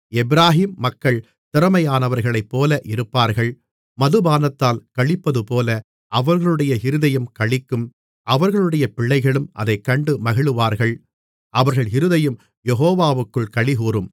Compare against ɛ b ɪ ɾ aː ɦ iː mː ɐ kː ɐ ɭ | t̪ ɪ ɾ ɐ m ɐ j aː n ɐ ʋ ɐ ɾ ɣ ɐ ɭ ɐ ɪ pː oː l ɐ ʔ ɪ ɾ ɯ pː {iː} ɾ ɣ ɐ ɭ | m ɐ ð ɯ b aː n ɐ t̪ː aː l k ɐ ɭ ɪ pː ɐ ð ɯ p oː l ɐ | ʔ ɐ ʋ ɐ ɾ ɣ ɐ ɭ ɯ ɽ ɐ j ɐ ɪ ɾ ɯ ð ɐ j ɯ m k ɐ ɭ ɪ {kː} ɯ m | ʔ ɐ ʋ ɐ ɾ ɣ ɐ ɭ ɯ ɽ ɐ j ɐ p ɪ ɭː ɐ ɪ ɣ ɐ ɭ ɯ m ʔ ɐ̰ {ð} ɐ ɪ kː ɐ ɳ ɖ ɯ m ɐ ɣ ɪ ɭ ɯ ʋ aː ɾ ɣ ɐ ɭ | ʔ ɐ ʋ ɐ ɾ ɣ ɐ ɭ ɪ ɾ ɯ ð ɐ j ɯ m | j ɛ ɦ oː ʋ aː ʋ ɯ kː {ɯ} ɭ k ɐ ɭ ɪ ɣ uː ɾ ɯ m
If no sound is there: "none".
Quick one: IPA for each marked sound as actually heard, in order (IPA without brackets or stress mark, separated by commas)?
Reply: aː, kː, ð, ɯ